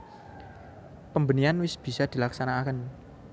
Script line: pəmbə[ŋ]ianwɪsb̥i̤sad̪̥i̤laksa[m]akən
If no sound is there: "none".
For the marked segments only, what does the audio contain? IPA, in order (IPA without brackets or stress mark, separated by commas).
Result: n, n